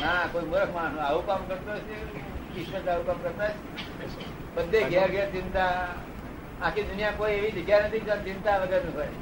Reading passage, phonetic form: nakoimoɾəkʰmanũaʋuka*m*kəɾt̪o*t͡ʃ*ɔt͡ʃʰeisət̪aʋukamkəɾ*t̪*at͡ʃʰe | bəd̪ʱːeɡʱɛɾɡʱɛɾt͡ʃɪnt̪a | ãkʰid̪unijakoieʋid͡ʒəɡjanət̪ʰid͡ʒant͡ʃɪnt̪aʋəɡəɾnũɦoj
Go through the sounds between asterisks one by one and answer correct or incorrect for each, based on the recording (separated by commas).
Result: correct, incorrect, correct